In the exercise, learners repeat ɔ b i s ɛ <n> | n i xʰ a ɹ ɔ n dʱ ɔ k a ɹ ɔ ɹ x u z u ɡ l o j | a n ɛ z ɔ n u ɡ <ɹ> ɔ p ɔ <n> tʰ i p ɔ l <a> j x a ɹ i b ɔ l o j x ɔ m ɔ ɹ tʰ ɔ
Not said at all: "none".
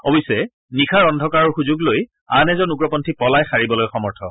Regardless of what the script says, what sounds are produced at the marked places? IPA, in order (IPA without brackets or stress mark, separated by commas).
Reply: none, ɹ, n, a